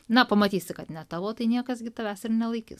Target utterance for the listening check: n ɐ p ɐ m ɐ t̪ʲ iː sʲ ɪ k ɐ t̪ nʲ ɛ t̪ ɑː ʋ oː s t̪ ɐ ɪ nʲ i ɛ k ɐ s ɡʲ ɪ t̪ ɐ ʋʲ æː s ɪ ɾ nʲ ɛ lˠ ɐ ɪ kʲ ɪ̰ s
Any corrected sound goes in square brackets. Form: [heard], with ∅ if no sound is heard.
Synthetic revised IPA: n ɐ p ɐ m ɐ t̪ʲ iː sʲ ɪ k ɐ t̪ nʲ ɛ t̪ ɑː ʋ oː [∅] t̪ ɐ ɪ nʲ i ɛ k ɐ s ɡʲ ɪ t̪ ɐ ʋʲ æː s ɪ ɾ nʲ ɛ lˠ ɐ ɪ kʲ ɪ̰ s